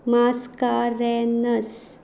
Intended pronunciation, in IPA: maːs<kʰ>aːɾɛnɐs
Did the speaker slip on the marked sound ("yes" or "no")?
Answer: yes